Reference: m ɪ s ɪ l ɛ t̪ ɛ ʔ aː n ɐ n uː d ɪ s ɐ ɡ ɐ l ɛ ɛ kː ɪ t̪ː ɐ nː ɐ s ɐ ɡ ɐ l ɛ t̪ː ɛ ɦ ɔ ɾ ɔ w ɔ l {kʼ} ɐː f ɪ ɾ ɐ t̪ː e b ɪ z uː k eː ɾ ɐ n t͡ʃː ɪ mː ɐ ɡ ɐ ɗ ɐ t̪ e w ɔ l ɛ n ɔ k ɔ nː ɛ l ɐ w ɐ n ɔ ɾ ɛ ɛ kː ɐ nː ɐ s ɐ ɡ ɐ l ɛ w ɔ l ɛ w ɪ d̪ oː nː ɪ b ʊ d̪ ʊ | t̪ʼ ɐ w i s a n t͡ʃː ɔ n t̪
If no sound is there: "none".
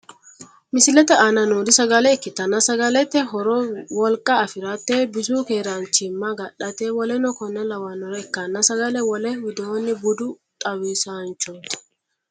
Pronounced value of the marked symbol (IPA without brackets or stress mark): kʼ